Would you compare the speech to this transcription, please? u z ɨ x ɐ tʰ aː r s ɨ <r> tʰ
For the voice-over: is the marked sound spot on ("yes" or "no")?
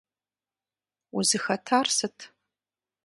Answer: no